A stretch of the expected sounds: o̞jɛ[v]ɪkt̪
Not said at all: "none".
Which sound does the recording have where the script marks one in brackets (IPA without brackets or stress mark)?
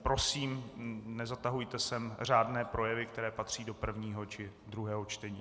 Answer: v